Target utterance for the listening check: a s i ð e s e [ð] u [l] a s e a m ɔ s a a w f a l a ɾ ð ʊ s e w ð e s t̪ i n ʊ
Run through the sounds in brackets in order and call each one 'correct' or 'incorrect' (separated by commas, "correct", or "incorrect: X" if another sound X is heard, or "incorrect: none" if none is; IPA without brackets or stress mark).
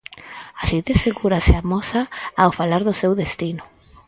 incorrect: ɣ, incorrect: ɾ